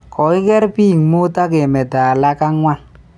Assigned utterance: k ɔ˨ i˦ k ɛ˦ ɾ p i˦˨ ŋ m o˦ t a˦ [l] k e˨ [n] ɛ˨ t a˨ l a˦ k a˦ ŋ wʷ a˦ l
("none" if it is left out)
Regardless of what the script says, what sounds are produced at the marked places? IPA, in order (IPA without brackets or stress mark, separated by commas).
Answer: none, m